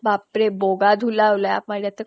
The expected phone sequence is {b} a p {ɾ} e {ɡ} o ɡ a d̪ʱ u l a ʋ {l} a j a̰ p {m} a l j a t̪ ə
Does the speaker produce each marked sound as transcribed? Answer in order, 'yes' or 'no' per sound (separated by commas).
yes, yes, no, yes, yes